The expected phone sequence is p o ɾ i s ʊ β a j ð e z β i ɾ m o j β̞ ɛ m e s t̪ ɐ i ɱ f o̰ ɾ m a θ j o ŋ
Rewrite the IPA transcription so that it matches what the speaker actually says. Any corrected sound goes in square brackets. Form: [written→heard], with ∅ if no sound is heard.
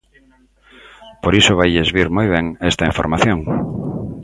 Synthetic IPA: p o ɾ i s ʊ β a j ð e z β i ɾ m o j β̞ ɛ [m→ŋ] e s t̪ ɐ i ɱ f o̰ ɾ m a θ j o ŋ